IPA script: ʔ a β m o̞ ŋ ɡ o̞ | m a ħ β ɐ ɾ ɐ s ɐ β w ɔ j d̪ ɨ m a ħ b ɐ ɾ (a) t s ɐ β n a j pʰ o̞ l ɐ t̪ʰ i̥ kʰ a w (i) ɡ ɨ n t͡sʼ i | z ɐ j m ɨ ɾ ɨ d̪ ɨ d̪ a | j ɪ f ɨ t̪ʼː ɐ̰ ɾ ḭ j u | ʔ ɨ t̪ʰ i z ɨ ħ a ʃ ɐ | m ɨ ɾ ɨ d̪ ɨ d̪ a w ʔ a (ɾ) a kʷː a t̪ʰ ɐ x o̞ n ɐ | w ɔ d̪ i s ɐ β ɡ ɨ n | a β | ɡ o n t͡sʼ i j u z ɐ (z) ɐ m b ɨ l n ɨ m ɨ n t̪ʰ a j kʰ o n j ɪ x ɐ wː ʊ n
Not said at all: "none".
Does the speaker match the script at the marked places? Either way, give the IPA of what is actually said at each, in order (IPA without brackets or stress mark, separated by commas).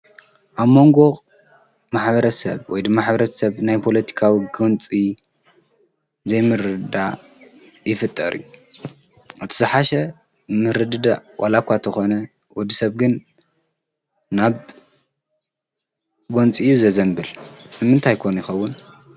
ɐ, i, l, z